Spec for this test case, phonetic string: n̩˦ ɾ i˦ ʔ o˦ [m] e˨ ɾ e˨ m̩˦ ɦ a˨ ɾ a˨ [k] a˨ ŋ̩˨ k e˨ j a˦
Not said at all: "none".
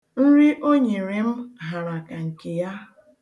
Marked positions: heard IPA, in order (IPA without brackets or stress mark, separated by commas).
ɲ, k